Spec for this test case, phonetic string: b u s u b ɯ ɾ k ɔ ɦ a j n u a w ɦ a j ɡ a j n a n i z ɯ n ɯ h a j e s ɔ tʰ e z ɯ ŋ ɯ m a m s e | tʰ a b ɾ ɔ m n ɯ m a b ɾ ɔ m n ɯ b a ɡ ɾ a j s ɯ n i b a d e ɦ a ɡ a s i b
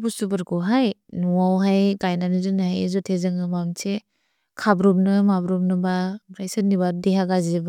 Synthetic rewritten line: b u s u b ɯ ɾ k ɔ ɦ a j n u a w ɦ a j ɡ a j n a n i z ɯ n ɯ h a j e z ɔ tʰ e z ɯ ŋ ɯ m a m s e | kʰ a b ɾ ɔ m n ɯ m a b ɾ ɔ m n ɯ b a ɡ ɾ a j s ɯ n i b a d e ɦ a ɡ a z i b